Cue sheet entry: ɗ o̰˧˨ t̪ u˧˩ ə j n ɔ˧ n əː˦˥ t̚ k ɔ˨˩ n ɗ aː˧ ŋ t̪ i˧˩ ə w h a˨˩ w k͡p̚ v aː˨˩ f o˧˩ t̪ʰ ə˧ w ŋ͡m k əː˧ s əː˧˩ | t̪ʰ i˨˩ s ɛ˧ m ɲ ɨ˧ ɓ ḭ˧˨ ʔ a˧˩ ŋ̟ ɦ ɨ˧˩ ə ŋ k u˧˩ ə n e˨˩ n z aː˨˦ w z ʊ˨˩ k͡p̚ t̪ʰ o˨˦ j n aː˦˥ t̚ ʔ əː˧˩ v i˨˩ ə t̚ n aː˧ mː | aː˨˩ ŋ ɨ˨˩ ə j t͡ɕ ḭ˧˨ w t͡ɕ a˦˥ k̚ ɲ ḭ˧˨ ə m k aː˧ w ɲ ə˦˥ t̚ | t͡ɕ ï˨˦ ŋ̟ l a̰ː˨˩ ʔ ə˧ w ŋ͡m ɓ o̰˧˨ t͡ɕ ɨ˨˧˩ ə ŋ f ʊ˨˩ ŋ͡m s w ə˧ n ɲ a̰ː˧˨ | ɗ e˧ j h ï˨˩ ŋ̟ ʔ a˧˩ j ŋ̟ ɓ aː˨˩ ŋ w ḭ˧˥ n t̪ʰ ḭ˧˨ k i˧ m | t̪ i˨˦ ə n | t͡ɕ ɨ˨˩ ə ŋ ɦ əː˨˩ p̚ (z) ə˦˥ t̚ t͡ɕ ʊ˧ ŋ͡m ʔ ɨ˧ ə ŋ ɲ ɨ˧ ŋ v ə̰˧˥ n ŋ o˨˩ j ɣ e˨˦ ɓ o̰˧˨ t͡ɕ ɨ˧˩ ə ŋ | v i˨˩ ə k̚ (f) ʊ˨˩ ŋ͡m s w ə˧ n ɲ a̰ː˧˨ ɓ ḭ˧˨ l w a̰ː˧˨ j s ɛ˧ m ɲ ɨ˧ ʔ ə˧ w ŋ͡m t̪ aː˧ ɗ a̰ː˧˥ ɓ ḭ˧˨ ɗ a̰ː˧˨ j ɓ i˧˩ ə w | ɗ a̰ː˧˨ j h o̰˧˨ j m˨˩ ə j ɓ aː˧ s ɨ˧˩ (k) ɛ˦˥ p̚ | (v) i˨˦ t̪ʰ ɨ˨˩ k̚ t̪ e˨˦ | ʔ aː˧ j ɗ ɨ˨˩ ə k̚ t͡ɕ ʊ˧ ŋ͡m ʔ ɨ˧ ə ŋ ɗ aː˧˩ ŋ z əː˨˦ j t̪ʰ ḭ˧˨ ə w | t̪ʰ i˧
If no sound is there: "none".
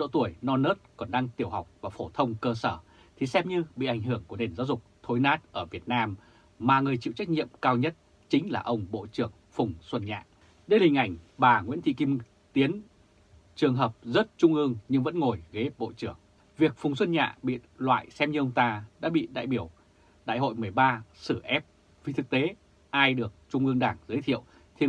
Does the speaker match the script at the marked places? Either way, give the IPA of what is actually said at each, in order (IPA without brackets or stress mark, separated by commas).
z, f, ʔ, v